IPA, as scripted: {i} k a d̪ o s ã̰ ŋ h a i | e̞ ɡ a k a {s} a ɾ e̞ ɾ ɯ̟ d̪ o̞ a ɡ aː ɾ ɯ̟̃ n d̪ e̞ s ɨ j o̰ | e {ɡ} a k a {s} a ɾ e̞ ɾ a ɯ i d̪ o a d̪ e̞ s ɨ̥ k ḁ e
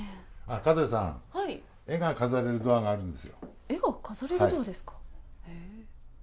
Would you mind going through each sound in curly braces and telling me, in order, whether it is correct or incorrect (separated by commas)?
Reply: incorrect, incorrect, correct, incorrect